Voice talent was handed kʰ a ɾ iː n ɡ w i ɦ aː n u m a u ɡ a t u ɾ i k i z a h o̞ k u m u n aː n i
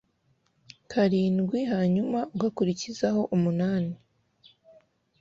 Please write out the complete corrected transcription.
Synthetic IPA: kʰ a ɾ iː n ɡ w i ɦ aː ɲ u m a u ɡ a k u ɾ i c i z a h o̞ ʔ u m u n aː n i